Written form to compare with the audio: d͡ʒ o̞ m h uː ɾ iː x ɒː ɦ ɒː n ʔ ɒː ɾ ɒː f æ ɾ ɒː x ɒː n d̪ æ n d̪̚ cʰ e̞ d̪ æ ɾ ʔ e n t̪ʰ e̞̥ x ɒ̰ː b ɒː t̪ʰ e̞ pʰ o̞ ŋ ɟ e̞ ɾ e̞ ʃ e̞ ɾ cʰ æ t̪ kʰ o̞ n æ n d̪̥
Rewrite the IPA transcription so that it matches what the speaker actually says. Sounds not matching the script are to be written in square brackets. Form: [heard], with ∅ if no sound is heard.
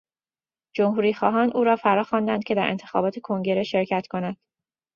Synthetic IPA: d͡ʒ o̞ m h uː ɾ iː x ɒː ɦ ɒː n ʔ [uː] ɾ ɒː f æ ɾ ɒː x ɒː n d̪ æ n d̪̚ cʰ e̞ d̪ æ ɾ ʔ e n t̪ʰ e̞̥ x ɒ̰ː b ɒː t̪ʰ e̞ [kʰ] o̞ ŋ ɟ e̞ ɾ e̞ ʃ e̞ ɾ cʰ æ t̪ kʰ o̞ n æ n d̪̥